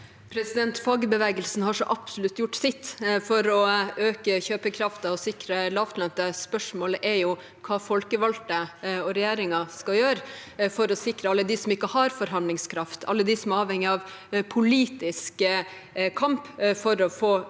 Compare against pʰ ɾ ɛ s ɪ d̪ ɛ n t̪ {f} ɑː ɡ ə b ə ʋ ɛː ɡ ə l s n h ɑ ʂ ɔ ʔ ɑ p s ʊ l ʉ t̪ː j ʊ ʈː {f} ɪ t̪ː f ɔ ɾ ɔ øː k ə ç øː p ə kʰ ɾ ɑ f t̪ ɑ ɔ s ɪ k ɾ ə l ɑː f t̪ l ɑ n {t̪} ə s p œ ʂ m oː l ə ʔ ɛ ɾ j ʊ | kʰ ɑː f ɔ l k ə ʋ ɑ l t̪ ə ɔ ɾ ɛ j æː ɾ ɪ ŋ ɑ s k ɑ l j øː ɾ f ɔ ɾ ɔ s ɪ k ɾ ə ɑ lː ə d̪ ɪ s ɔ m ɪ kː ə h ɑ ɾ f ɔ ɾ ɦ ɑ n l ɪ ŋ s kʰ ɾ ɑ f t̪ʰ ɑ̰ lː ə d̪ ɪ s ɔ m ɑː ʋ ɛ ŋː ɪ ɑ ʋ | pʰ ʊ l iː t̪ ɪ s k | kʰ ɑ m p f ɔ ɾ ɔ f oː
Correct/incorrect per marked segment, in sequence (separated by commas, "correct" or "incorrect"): correct, incorrect, correct